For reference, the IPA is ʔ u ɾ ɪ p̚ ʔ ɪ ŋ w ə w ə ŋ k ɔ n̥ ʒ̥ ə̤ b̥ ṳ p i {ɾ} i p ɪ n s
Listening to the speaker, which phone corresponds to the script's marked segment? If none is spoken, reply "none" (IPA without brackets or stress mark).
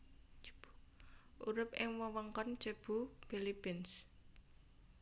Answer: l